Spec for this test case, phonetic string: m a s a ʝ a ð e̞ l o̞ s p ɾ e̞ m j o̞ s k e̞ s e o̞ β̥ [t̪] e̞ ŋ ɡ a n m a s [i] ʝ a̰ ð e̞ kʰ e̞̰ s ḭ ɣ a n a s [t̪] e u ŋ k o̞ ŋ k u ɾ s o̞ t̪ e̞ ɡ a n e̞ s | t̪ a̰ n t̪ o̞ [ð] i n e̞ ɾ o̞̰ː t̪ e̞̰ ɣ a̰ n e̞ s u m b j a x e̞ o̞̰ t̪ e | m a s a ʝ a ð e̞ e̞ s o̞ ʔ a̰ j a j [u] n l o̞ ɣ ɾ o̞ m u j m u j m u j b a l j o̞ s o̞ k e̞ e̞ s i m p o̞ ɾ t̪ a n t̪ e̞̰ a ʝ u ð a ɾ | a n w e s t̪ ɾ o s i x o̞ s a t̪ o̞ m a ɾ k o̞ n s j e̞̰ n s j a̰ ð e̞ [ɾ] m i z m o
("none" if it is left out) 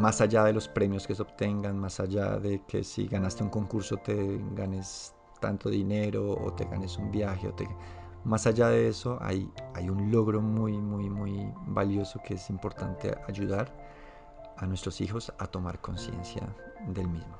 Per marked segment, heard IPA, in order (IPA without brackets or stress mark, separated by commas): t̪, a, t̪, ð, u, l